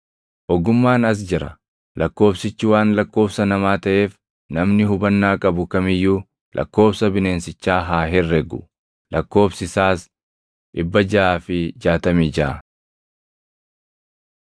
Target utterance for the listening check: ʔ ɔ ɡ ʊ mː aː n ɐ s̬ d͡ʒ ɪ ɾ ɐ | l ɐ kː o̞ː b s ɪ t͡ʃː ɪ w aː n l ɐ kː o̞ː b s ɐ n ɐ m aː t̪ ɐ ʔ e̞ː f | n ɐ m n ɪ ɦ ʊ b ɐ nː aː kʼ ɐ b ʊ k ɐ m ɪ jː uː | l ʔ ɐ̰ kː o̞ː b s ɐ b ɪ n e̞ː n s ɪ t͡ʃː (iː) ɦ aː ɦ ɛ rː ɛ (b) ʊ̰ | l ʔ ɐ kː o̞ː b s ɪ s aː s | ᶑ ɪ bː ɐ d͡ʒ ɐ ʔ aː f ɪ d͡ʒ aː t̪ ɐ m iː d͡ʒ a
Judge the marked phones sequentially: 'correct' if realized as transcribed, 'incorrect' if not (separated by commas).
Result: incorrect, incorrect